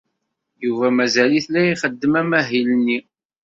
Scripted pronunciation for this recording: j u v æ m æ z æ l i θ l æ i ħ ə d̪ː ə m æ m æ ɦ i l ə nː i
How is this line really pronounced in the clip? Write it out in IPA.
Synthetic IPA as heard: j u v æ m æ z æ l i θ l æ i χ ə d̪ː ə m æ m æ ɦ i l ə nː i